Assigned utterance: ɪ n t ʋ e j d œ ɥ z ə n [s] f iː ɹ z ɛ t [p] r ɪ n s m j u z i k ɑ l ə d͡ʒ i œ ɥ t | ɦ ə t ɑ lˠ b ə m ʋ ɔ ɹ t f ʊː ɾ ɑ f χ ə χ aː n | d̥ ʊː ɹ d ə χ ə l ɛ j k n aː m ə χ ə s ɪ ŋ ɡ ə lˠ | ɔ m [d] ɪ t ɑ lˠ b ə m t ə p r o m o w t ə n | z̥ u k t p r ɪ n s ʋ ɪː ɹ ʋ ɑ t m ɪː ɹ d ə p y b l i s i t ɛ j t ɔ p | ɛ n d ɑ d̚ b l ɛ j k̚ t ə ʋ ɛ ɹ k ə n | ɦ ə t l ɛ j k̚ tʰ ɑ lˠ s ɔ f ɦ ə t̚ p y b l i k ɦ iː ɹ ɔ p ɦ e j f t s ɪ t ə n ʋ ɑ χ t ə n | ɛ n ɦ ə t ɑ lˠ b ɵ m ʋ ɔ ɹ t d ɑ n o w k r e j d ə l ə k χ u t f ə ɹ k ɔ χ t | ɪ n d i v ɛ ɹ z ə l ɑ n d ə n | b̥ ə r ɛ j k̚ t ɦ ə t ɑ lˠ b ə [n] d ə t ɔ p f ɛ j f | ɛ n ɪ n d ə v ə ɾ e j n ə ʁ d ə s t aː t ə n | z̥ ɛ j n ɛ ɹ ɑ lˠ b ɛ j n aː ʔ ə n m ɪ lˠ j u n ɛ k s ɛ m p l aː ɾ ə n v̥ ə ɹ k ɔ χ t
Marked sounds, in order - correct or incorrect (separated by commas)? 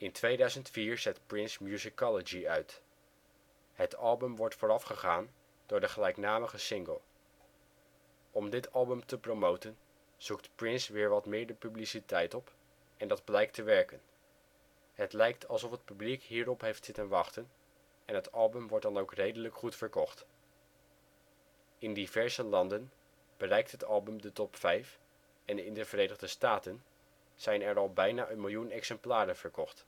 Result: incorrect, correct, correct, incorrect